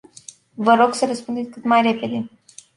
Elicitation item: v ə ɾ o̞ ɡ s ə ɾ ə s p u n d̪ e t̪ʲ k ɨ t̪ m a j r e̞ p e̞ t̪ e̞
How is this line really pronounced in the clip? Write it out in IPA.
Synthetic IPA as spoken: v ə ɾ o̞ ɡ s ə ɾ ə s p u n d̪ e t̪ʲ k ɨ t̪ m a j r e̞ p e̞ d̪ e̞